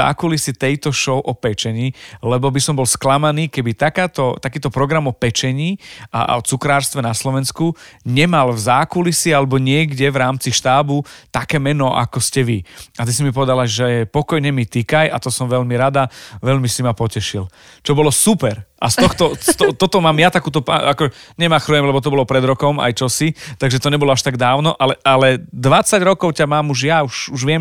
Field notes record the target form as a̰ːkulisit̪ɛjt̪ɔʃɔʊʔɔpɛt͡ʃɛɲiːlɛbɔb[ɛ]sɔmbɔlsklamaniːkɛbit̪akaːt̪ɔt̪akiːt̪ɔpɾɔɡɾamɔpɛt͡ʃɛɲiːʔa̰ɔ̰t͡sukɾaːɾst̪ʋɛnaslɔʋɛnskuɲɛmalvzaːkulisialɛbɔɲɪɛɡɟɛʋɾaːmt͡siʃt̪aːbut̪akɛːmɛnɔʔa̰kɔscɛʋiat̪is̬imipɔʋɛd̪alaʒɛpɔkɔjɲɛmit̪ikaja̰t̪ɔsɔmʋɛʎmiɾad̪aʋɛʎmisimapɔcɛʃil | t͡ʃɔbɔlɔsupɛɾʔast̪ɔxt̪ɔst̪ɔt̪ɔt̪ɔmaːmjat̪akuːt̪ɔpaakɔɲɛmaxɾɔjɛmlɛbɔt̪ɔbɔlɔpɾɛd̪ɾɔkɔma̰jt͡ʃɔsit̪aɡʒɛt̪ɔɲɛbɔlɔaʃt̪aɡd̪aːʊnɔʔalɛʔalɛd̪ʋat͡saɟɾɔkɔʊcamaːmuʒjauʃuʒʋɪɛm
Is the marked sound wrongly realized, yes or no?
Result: yes